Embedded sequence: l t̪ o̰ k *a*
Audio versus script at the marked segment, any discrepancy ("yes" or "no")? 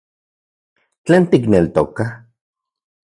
no